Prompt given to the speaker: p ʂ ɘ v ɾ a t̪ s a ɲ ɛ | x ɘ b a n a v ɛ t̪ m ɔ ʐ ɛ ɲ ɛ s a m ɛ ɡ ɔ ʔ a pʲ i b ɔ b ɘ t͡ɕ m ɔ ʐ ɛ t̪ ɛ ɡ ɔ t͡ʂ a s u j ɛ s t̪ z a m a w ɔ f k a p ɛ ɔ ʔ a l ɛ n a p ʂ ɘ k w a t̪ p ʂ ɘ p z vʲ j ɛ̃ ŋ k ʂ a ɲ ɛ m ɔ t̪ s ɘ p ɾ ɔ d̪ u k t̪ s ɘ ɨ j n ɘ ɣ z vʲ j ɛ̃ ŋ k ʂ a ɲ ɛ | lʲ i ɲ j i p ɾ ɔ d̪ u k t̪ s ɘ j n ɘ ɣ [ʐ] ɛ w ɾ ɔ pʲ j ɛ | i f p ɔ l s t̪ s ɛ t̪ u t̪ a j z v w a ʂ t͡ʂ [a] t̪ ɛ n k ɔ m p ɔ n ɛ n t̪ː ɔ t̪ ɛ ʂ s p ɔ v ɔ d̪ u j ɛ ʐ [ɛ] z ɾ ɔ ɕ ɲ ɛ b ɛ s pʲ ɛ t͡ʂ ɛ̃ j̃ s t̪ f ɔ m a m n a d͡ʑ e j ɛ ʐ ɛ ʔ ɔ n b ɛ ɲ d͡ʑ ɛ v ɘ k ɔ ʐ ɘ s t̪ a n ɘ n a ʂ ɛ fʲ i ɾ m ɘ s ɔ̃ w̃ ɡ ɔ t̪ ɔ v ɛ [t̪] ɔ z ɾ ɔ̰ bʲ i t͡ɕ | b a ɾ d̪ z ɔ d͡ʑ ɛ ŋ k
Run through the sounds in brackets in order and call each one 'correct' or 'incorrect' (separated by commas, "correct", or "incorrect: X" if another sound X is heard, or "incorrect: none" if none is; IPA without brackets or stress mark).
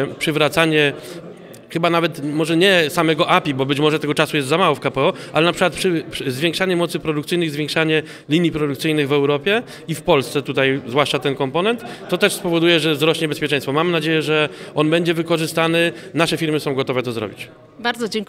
incorrect: v, correct, correct, correct